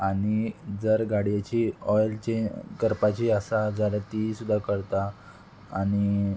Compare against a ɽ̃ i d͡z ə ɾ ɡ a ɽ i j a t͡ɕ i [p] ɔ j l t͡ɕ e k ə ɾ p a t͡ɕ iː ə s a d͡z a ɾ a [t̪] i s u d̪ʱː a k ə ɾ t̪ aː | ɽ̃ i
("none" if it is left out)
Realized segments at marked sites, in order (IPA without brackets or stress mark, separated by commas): none, t̪